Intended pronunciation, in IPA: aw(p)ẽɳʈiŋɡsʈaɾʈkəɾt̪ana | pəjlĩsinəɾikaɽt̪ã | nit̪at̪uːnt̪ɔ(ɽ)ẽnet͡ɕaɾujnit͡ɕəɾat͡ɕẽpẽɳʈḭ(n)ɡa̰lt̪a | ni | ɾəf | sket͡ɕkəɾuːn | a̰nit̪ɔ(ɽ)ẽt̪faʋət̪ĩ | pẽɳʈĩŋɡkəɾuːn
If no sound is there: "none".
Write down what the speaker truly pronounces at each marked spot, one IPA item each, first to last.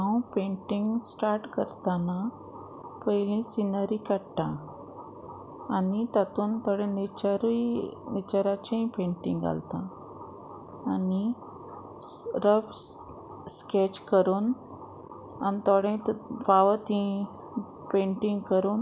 p, ɽ, ŋ, ɽ

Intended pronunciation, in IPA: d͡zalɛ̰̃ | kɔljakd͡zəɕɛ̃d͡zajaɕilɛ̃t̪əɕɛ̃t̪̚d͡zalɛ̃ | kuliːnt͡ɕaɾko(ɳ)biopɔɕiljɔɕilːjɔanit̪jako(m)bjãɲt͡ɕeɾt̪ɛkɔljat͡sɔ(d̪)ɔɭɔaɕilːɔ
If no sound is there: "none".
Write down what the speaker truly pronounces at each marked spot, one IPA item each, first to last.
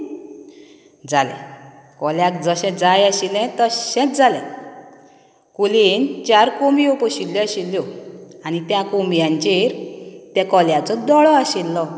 m, m, d̪

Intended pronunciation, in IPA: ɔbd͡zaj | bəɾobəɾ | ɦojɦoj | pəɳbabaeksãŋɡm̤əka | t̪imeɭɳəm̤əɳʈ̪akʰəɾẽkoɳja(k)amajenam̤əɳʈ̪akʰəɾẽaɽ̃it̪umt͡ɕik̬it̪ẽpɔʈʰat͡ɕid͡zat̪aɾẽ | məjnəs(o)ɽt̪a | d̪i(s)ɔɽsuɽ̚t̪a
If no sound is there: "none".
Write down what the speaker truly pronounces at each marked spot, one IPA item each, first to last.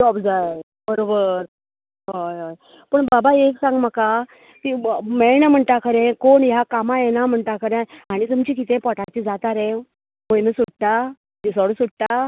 k, u, s

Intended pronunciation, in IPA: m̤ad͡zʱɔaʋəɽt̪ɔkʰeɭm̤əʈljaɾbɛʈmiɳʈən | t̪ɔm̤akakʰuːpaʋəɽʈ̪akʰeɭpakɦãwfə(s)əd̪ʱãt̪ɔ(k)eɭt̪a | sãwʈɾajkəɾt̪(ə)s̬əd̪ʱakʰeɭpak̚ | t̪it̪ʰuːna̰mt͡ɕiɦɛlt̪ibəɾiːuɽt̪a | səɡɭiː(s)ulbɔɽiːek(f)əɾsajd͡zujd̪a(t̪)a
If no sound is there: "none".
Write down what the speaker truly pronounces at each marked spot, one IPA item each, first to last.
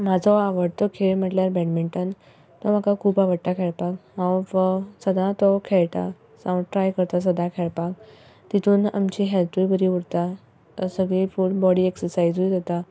s, kʰ, a, f, s, t̪

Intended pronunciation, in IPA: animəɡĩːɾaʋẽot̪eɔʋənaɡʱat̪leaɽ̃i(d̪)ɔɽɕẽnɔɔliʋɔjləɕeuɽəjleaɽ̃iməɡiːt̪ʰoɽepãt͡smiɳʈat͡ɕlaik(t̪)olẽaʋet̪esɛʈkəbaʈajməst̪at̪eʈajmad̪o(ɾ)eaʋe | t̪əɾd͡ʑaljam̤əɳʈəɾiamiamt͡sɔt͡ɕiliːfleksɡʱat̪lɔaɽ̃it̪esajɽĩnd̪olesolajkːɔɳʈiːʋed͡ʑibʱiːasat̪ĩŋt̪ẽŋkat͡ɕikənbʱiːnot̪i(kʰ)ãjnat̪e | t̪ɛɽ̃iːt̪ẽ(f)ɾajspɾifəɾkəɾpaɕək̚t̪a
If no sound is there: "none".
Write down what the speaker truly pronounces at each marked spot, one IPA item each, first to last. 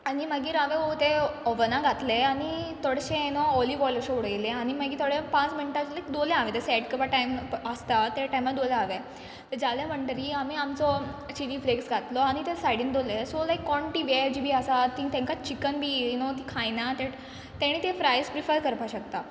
t̪, d̪, l, kʰ, f

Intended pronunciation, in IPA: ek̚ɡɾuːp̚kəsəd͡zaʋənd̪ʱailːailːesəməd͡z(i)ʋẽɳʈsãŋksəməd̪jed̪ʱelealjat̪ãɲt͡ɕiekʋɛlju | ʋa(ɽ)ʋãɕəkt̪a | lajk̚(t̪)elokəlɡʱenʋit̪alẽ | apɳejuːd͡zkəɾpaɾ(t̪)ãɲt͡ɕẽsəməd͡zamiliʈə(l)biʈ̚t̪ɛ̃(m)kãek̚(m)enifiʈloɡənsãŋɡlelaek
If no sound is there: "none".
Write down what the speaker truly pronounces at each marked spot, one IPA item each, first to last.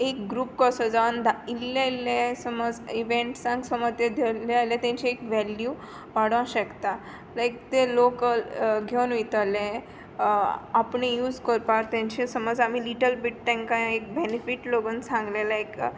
i, ɽ, t̪, t̪, l, ŋ, b

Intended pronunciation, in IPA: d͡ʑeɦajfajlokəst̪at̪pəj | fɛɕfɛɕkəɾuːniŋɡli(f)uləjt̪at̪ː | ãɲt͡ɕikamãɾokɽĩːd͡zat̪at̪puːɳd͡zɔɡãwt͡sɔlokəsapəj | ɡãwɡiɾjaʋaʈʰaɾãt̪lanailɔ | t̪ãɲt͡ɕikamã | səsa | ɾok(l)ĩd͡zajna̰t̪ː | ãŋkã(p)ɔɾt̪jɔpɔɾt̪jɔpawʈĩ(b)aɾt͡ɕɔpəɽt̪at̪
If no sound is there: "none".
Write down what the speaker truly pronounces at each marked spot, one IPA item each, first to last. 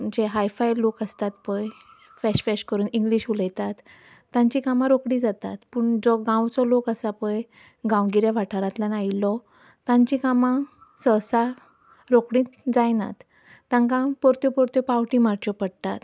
ɕ, ɽ, p, m

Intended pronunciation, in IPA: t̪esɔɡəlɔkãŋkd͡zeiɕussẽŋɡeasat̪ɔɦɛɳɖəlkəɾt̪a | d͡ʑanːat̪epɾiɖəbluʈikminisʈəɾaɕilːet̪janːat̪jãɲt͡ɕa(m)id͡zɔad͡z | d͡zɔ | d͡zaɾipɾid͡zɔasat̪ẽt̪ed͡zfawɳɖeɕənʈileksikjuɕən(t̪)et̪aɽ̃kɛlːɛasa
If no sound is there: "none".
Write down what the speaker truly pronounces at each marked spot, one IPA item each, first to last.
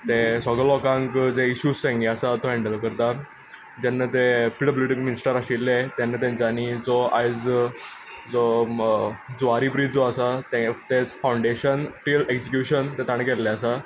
n, t̪

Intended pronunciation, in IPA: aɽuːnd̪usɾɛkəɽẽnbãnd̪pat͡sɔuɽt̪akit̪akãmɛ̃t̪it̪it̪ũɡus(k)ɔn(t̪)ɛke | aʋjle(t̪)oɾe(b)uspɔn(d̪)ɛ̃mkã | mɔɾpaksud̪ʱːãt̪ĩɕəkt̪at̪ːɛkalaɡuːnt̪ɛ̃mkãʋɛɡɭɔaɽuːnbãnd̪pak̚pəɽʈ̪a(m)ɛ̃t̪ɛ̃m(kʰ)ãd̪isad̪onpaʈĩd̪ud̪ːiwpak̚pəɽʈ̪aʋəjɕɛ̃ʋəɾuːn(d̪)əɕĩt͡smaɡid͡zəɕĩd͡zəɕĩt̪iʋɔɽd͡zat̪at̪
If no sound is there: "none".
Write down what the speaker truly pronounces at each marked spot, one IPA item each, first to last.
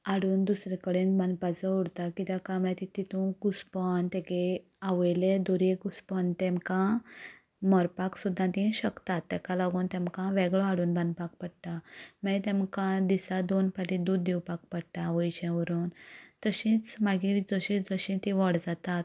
p, t̪, d̪, ɡ, t̪, m, k, t̪

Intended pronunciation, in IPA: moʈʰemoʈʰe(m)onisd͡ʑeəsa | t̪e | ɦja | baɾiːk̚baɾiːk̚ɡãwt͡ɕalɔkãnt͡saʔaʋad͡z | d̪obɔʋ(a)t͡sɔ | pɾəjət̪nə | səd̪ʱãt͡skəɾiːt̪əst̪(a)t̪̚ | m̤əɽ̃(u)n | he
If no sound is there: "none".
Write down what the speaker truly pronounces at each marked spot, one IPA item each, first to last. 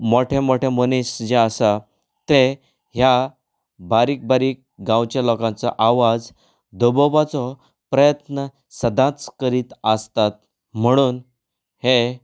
m, a, a, uː

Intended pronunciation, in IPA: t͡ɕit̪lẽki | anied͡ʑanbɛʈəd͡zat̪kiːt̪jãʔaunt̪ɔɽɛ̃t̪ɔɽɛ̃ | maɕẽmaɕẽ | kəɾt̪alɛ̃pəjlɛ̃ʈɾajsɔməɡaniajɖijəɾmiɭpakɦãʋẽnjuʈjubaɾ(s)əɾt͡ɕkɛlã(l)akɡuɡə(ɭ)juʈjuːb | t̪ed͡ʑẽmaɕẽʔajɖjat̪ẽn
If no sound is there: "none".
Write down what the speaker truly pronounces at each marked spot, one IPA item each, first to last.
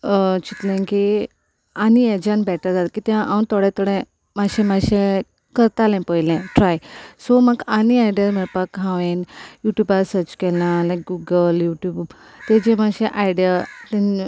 s, l, l

